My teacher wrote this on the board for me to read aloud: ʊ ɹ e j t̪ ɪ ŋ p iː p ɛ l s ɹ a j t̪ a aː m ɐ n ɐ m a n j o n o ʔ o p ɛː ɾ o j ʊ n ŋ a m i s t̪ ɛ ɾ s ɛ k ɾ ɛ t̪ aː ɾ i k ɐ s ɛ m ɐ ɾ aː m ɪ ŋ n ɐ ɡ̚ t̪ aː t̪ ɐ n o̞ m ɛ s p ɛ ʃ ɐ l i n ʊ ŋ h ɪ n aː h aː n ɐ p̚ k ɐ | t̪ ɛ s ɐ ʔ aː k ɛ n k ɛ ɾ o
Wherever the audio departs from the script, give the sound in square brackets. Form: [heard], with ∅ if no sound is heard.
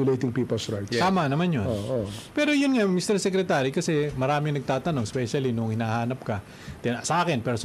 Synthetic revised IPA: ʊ [l] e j t̪ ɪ ŋ p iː p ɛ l s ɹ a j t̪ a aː m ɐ n ɐ m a n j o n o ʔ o p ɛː ɾ o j ʊ n ŋ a m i s t̪ ɛ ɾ s ɛ k ɾ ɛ t̪ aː ɾ i k ɐ s ɛ m ɐ ɾ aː m ɪ ŋ n ɐ ɡ̚ t̪ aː t̪ ɐ n o̞ [ŋ] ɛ s p ɛ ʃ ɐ l i n ʊ ŋ h ɪ n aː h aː n ɐ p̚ k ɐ | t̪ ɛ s ɐ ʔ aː k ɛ n [p] ɛ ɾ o